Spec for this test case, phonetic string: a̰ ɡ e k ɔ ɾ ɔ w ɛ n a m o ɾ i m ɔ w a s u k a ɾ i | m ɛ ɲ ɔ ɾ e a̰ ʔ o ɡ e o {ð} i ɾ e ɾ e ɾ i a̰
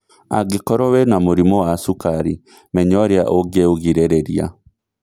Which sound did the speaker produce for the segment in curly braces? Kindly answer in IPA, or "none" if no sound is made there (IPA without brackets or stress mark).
ɣ